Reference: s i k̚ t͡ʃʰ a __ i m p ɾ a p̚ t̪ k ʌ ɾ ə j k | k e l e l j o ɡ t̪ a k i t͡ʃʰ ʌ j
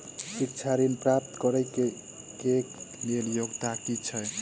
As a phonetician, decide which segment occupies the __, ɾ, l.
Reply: ɾ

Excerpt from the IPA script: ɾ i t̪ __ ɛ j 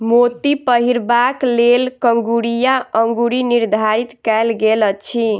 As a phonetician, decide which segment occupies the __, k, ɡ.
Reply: k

